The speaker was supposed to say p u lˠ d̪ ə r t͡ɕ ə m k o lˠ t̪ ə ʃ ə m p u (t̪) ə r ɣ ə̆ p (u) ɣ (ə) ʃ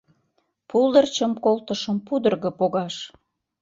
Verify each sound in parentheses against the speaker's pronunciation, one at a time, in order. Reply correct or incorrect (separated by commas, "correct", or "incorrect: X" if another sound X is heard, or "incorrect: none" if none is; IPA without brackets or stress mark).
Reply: incorrect: d̪, incorrect: o, incorrect: ɑ